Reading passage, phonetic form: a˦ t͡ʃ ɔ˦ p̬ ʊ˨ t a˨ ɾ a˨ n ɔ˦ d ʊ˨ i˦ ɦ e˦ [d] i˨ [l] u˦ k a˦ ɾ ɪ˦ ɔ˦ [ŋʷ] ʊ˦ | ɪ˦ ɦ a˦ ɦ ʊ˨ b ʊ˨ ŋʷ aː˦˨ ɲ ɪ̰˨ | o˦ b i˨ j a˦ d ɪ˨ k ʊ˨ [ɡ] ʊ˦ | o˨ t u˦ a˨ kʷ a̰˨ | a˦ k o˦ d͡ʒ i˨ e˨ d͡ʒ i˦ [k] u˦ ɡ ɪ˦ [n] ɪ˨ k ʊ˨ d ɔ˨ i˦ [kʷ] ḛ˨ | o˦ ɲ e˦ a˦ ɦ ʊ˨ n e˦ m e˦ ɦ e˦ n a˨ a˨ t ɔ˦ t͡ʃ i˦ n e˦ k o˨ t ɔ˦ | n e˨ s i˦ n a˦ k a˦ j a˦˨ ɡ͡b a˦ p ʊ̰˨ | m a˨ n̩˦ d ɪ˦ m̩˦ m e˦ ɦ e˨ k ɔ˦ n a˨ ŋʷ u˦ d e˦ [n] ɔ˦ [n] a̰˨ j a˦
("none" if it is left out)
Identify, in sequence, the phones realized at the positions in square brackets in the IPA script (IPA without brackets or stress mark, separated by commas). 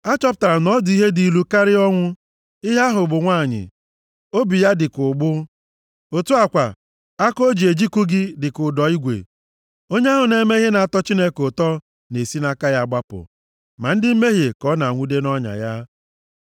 d, l, ŋʷ, ɡ͡b, k, d, ɡʷ, n, ɲ